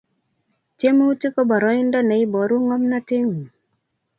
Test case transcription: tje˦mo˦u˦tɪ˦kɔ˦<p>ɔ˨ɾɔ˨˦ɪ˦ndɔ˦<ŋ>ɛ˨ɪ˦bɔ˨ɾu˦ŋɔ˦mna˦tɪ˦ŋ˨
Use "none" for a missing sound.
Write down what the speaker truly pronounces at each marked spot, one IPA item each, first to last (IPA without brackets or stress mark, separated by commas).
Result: b, n